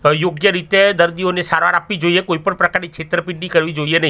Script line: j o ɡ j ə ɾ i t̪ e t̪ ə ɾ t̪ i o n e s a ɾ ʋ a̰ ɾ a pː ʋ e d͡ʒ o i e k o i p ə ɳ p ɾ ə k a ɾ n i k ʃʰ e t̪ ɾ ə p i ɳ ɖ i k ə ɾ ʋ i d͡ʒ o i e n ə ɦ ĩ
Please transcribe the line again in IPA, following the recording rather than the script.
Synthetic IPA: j o ɡ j ə ɾ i t̪ e d̪ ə ɾ d̪ i o n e s a ɾ ʋ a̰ ɾ a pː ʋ i d͡ʒ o i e k o i p ə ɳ p ɾ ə k a ɾ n i k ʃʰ e t̪ ɾ ə p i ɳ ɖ i k ə ɾ ʋ i d͡ʒ o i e n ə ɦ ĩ